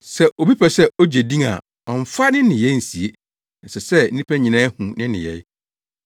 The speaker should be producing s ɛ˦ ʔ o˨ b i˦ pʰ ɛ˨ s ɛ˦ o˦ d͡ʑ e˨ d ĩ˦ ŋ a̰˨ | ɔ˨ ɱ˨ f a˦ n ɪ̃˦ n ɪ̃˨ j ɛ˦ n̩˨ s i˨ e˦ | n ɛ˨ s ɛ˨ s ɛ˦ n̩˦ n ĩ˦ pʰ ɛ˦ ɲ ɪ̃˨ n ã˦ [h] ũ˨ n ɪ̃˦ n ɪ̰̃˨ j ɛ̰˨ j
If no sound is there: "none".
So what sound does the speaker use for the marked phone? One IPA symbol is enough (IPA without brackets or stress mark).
h